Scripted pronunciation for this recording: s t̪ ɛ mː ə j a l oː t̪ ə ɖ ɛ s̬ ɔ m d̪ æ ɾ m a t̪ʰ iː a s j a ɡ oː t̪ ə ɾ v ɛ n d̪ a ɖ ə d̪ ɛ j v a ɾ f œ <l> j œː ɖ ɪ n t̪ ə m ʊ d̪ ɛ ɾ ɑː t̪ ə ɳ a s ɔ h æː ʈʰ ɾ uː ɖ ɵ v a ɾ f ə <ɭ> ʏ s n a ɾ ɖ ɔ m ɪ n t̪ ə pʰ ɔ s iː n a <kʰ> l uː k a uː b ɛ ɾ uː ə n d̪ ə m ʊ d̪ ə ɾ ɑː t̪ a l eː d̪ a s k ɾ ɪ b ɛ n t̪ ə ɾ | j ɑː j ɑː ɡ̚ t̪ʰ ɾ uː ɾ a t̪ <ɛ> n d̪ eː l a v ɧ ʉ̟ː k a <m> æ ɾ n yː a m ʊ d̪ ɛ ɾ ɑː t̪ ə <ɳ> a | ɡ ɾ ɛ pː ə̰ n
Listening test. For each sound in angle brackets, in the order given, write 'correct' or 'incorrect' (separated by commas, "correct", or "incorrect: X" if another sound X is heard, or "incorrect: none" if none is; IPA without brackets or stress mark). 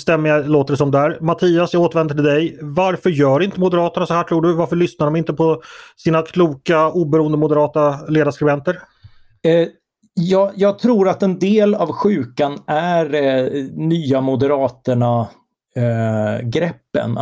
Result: incorrect: ɾ, correct, correct, correct, incorrect: n, correct